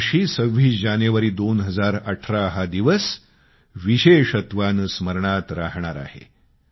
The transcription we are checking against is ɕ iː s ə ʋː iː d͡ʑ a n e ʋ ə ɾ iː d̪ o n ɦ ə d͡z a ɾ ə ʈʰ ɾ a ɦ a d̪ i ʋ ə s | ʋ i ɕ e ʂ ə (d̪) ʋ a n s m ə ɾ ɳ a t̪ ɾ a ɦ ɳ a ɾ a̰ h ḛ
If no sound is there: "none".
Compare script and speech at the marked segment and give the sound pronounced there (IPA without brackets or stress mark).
t̪